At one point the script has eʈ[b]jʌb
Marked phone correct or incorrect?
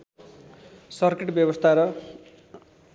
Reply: correct